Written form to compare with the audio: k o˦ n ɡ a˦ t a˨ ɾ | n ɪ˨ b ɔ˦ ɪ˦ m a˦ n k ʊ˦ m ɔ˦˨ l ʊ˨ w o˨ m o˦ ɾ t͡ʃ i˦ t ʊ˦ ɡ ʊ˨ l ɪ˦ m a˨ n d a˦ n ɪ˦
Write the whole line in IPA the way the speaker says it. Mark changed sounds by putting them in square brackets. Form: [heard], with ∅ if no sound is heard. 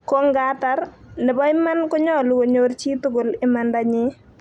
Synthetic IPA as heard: k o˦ [ŋ] ɡ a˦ t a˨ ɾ | n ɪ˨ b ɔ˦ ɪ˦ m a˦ n k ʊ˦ [ɲ] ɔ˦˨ l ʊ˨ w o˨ [ɲ] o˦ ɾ t͡ʃ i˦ t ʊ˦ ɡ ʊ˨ l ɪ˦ m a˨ n d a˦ [ɲ] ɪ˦